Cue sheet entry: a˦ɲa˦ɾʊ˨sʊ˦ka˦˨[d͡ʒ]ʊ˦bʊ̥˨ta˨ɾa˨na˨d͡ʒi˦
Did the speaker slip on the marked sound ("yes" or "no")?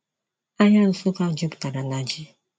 no